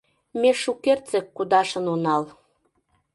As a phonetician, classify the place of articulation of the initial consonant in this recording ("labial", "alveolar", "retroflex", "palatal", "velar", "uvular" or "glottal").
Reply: labial